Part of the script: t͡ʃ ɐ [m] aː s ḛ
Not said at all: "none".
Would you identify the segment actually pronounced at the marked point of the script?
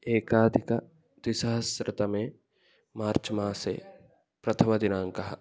m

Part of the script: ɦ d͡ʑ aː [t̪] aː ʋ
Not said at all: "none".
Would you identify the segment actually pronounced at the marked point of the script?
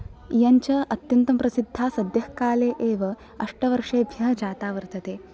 t̪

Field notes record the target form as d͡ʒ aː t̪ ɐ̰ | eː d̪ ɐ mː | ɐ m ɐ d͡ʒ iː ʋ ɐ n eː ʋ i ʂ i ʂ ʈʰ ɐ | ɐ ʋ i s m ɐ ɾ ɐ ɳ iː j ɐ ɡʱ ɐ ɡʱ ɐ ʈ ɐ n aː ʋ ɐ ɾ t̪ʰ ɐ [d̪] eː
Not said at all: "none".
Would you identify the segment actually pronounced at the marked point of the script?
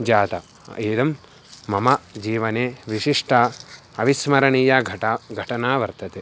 t̪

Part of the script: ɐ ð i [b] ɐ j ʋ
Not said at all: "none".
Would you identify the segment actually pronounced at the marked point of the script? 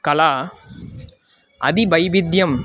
b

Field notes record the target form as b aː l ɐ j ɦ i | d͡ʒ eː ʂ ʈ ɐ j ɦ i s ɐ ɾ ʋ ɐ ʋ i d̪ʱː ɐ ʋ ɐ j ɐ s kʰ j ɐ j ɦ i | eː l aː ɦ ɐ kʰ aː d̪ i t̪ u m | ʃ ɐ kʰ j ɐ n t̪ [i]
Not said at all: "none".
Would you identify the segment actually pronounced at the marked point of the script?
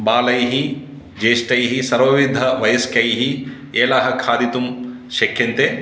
e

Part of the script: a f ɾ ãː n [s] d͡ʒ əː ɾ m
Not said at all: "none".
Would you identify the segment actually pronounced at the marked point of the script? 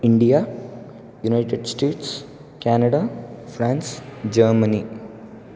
s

